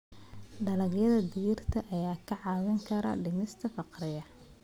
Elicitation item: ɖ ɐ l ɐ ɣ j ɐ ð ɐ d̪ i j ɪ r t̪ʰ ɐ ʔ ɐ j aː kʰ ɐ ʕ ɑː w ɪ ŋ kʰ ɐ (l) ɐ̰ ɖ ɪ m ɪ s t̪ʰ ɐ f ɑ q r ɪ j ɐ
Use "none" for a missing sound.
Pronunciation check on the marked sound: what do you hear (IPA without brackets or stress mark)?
ɾ